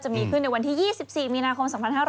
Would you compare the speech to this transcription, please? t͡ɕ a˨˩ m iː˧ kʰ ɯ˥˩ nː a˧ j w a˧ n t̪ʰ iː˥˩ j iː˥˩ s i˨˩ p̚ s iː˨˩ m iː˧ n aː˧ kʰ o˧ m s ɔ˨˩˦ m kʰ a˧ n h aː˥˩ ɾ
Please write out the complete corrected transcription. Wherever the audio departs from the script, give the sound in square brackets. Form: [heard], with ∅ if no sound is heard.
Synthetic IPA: t͡ɕ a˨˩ m iː˧ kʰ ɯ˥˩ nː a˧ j w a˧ n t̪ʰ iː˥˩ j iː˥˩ s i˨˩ p̚ s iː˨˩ m iː˧ n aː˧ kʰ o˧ m s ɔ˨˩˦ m [pʰ] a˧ n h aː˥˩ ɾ